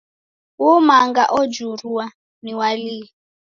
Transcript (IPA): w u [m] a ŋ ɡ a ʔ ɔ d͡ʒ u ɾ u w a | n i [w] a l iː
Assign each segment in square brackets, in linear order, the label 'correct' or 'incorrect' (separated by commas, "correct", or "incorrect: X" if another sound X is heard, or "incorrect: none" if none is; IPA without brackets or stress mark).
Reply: correct, correct